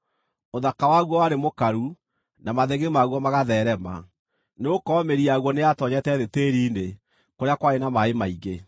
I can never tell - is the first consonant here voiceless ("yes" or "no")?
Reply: no